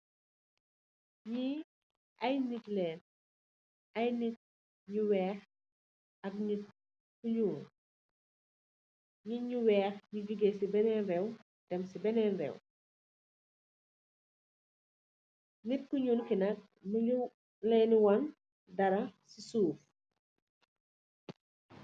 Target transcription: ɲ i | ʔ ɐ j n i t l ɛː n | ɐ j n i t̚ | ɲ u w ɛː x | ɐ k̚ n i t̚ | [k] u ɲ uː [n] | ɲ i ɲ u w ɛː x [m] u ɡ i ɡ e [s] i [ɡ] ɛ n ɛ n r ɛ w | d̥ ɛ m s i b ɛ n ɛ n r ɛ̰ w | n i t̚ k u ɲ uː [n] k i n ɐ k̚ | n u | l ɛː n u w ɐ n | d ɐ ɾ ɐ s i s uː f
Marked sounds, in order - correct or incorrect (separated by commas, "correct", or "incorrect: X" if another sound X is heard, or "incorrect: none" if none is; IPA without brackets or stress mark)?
correct, correct, incorrect: ɲ, correct, incorrect: b, correct